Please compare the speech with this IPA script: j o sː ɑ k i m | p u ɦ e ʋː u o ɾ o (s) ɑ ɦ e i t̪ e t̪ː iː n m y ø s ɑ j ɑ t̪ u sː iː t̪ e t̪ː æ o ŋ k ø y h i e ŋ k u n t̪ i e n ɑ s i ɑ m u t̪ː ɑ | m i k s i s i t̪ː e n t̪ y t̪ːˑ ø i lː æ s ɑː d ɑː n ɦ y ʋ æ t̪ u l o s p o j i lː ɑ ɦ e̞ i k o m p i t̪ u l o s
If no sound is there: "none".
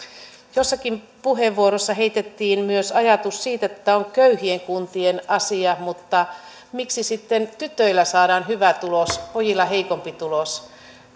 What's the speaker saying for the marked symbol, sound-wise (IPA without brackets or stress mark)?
sː